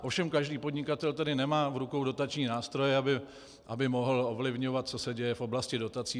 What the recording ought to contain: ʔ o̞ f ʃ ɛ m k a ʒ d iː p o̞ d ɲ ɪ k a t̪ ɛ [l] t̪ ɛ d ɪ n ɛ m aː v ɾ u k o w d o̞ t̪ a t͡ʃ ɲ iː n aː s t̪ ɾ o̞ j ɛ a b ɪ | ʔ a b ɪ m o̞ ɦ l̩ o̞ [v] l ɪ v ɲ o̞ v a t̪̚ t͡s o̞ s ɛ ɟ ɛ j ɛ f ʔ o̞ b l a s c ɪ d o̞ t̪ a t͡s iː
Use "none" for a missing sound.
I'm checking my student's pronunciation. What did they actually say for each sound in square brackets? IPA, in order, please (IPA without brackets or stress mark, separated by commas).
l, v